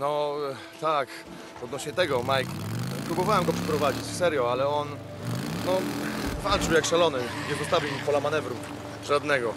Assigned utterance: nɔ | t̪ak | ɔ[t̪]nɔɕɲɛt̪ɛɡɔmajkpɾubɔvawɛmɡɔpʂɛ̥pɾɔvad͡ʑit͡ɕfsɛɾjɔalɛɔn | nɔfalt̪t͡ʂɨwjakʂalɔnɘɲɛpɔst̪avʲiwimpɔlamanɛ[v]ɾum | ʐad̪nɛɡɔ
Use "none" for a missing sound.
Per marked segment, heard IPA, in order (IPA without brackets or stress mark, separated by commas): d̪, v